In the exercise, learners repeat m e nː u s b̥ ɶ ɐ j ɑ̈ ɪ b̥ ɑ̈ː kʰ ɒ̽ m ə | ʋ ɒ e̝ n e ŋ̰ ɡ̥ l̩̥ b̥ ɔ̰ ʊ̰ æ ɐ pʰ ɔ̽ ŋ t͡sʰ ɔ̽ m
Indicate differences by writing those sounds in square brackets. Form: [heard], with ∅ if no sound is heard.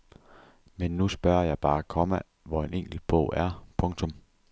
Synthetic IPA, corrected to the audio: m e nː u s b̥ ɶ ɐ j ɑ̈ ɪ b̥ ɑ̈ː kʰ ɒ̽ m ə | ʋ ɒ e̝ n e ŋ̰ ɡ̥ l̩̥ b̥ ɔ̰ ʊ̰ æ ɐ pʰ ɔ̽ ŋ t͡sʰ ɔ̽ m